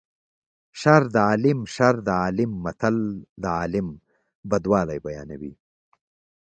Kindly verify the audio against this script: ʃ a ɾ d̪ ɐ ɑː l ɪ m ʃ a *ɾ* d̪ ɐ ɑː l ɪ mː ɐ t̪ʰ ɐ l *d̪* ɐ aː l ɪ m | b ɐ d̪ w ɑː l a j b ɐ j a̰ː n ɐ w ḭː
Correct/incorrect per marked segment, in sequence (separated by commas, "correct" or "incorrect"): correct, correct